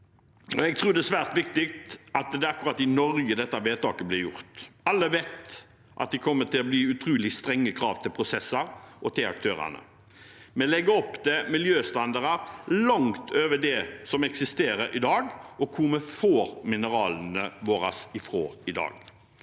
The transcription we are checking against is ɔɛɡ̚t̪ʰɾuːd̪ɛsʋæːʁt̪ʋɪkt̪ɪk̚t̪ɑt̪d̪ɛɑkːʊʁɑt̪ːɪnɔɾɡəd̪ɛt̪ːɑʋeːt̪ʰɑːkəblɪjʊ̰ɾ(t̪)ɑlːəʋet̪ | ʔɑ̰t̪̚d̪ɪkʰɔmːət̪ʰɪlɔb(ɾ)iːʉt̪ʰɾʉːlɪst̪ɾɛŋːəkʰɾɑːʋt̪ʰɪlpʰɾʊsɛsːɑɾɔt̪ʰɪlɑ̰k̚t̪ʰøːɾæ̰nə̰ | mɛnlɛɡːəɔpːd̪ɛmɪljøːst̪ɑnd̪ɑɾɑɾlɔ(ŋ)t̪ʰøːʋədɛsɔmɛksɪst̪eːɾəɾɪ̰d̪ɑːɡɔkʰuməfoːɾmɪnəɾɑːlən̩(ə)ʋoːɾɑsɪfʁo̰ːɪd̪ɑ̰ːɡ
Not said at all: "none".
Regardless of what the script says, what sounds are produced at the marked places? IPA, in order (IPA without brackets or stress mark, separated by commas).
t̪, l, ŋ, ə